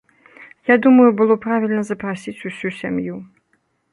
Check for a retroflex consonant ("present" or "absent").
absent